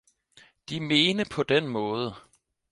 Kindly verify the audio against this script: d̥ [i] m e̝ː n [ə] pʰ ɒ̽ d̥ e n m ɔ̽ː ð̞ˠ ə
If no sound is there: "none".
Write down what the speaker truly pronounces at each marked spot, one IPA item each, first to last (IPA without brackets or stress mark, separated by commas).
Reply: i, ə